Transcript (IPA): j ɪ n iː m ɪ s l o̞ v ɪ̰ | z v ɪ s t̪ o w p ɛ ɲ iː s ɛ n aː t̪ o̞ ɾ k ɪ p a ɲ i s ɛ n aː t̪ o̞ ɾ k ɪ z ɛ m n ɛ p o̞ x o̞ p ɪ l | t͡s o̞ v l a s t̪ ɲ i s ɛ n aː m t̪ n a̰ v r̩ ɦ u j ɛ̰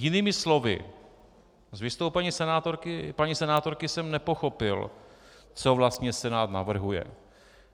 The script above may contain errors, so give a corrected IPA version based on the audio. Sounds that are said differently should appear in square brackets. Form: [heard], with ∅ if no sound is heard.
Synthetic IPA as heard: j ɪ n iː m ɪ s l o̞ v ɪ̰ | z v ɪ s t̪ o w p ɛ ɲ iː s ɛ n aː t̪ o̞ ɾ k ɪ p a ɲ i s ɛ n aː t̪ o̞ ɾ k ɪ [s] ɛ m n ɛ p o̞ x o̞ p ɪ l | t͡s o̞ v l a s t̪ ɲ [ɛ] s ɛ n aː [∅] t̪ n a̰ v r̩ ɦ u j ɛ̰